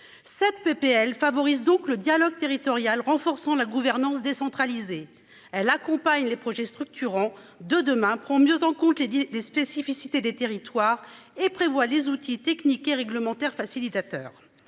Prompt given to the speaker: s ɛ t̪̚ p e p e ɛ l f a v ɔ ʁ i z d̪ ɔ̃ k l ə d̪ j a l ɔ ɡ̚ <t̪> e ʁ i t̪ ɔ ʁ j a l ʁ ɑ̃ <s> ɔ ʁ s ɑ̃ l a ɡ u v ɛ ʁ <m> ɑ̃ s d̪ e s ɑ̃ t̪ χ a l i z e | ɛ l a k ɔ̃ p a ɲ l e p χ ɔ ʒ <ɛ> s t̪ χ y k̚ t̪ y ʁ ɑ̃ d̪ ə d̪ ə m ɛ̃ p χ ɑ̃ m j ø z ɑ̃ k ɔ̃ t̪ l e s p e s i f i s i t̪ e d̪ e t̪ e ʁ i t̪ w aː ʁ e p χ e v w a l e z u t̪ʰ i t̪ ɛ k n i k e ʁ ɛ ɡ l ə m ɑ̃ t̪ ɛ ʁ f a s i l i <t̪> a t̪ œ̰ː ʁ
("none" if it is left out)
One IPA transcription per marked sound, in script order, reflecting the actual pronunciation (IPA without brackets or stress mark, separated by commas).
t̪, f, n, ɛ, t̪